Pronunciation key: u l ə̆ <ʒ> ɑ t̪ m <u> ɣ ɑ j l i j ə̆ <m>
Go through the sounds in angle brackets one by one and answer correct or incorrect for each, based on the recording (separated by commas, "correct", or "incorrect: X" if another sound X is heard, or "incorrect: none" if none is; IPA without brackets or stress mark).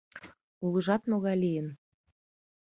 correct, incorrect: o, incorrect: n